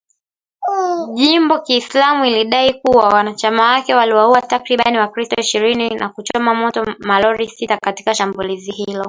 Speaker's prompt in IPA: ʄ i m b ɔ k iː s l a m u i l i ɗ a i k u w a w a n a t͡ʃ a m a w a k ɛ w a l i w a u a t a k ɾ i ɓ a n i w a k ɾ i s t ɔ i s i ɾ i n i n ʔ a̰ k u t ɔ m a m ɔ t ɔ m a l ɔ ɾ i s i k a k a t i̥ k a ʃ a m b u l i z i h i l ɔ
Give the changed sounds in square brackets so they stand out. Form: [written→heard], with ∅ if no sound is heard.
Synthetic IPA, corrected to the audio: ʄ i m b ɔ k iː s l a m u i l i ɗ a i k u w a w a n a t͡ʃ a m a w a k ɛ w a l i w a u a t a k ɾ i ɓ a n i w a k ɾ i s t ɔ i [s→ʃ] i ɾ i n i n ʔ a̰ k u [t→t͡ʃ] ɔ m a m ɔ t ɔ m a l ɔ ɾ i s i [k→t] a k a t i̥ k a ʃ a m b u l i z i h i l ɔ